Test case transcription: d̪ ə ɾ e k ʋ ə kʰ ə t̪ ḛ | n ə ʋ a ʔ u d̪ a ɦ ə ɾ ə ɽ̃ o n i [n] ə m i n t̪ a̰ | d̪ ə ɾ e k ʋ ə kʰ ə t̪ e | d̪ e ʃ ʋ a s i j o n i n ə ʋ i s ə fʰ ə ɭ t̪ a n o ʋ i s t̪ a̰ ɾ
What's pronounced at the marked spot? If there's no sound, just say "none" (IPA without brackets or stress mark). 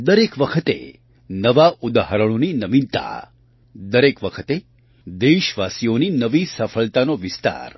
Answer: n